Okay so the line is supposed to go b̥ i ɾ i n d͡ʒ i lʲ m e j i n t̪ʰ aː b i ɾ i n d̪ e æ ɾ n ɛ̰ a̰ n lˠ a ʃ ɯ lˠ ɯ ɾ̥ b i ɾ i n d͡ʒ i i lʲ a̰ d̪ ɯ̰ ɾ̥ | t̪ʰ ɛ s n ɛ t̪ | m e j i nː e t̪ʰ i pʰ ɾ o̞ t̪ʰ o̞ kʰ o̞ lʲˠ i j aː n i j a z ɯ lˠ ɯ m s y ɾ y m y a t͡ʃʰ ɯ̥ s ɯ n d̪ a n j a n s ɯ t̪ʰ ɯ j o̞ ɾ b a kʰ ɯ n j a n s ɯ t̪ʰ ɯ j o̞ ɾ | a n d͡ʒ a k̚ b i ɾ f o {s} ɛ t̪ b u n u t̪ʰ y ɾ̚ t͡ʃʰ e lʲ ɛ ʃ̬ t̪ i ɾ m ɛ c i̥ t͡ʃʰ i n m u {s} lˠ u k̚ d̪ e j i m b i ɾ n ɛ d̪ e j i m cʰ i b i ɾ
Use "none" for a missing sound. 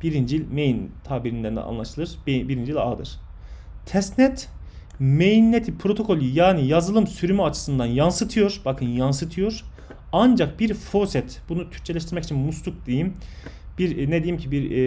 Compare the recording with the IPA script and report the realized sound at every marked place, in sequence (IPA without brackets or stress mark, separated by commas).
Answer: s, s